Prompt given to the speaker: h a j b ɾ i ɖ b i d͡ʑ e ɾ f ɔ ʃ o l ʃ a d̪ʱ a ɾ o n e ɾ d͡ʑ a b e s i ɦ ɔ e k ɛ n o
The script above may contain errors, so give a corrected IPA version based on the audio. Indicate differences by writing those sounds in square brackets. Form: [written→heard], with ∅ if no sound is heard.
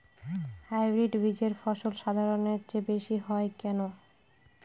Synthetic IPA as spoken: h a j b ɾ i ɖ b i d͡ʑ e ɾ f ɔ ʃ o l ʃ a d̪ʱ a ɾ o n e ɾ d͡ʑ [a→e] b e [s→ʃ] i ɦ ɔ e k ɛ n o